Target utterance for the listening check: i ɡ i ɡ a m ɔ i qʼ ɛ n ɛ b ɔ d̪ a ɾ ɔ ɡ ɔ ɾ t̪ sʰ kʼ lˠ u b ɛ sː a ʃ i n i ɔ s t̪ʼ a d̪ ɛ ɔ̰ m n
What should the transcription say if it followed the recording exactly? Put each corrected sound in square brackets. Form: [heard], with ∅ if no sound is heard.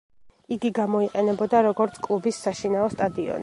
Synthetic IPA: i ɡ i ɡ a m ɔ i qʼ ɛ n ɛ b ɔ d̪ a ɾ ɔ ɡ ɔ ɾ t̪ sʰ kʼ lˠ u b [i] sː a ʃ i n [a] ɔ s t̪ʼ a d̪ [i] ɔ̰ [∅] n